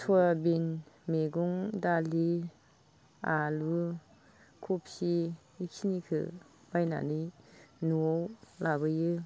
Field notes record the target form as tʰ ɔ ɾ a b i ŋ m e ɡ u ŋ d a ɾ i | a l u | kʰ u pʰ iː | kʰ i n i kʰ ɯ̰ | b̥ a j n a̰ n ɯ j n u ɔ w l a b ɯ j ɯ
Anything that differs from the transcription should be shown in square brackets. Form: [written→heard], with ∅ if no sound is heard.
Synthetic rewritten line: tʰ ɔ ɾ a b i [ŋ→n] m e ɡ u ŋ d a [ɾ→l] i | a l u | kʰ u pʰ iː | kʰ i n i kʰ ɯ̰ | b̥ a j n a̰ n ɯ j n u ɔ w l a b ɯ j ɯ

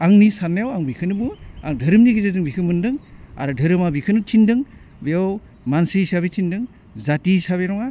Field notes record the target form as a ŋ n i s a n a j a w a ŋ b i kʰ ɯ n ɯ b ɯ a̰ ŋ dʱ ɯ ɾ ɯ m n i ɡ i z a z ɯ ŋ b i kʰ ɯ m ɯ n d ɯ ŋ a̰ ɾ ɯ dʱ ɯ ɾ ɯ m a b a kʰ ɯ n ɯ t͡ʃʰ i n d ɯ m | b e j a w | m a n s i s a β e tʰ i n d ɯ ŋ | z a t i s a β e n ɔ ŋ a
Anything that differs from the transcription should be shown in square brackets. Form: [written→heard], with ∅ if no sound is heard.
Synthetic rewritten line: a ŋ n i s a n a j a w a ŋ b i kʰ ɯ n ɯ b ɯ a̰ ŋ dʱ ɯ ɾ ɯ m n i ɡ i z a z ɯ ŋ b i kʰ ɯ m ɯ n d ɯ ŋ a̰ ɾ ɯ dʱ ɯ ɾ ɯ m a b [a→i] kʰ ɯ n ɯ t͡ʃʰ i n d ɯ [m→ŋ] | b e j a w | m a n s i s a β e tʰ i n d ɯ ŋ | z a t i s a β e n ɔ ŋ a

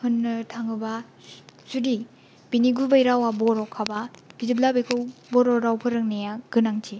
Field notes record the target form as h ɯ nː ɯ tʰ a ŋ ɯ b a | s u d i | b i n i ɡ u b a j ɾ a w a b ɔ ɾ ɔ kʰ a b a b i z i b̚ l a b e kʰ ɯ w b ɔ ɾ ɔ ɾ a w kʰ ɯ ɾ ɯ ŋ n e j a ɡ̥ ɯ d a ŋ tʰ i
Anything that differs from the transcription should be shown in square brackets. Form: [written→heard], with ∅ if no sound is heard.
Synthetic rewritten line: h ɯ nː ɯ tʰ a ŋ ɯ b a | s u d i | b i n i ɡ u b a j ɾ a w a b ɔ ɾ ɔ kʰ a b a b i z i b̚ l a b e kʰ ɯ w b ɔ ɾ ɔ ɾ a w [kʰ→pʰ] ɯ ɾ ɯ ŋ n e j a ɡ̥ ɯ [d→n] a ŋ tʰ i

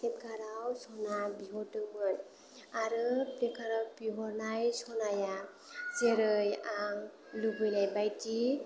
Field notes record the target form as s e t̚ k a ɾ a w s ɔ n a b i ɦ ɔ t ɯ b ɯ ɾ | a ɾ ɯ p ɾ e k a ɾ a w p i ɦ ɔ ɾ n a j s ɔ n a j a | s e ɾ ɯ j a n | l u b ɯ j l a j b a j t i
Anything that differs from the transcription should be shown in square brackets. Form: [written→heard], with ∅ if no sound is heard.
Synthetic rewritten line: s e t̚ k a ɾ a w s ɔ n a b i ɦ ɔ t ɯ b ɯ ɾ | a ɾ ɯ p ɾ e k a ɾ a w p i ɦ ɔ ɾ n a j s ɔ n a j a | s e ɾ ɯ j a [n→ŋ] | l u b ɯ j l a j b a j t i

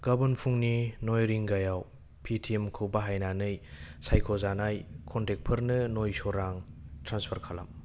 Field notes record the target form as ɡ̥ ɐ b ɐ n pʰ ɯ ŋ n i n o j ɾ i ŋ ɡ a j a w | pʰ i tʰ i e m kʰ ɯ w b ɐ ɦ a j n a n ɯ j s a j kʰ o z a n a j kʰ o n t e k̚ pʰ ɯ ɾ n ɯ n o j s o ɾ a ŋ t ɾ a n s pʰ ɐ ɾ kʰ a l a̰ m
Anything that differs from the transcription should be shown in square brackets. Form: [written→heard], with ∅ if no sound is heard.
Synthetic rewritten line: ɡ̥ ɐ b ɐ n pʰ [ɯ→u] ŋ n i n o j ɾ i ŋ ɡ a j a w | pʰ i tʰ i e m kʰ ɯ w b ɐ ɦ a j n a n ɯ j s a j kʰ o z a n a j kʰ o n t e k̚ pʰ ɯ ɾ n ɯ n o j s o ɾ a ŋ t ɾ a n s pʰ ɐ ɾ kʰ a l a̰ m

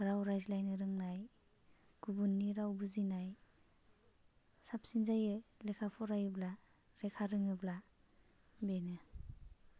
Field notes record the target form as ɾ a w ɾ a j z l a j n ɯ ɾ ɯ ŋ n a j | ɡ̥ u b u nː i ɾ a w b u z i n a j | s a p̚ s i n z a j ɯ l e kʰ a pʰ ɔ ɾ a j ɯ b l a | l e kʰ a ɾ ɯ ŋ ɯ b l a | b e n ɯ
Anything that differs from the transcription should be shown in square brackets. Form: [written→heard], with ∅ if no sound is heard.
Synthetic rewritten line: ɾ a w ɾ a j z l a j n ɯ ɾ ɯ ŋ n a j | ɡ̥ u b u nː i ɾ a w b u z i n a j | s a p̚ s i n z a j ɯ l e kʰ a pʰ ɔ ɾ a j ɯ b l a | [l→ɾ] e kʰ a ɾ ɯ ŋ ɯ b l a | b e n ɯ

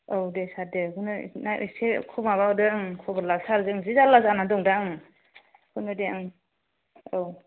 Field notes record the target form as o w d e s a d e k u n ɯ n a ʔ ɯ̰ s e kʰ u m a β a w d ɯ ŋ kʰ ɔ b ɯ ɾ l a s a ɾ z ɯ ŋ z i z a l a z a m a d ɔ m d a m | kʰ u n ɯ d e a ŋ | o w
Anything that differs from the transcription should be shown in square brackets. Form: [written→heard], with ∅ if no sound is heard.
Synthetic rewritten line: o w d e s a d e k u n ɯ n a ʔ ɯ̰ s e kʰ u m a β a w d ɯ ŋ kʰ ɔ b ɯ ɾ l a s a ɾ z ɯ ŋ z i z a l a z a [m→n] a d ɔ [m→ŋ] d a [m→ŋ] | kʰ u n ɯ d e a ŋ | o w

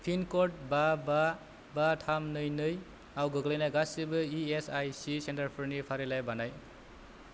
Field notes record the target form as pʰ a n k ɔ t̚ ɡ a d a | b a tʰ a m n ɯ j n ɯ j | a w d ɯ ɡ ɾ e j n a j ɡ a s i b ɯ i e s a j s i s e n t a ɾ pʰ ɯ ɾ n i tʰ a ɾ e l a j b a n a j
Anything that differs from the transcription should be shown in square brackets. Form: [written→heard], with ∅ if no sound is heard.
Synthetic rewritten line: pʰ [a→i] n k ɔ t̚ [ɡ→b] a [d→b] a | b a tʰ a m n ɯ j n ɯ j | a w [d→ɡ] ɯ ɡ [ɾ→l] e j n a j ɡ a s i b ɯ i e s a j s i s e n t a ɾ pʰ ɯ ɾ n i [tʰ→pʰ] a ɾ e l a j b a n a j

